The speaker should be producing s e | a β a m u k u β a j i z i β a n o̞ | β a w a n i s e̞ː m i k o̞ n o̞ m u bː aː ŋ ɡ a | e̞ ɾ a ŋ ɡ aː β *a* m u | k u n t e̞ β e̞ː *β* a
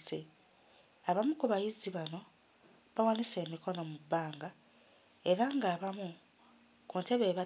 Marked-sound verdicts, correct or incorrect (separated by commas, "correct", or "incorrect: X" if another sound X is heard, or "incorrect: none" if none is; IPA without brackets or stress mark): correct, correct